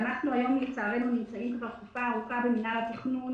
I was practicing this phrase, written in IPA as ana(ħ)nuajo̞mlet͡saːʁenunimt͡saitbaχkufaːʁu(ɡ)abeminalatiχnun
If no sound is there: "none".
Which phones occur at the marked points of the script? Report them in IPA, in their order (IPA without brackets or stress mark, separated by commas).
χ, k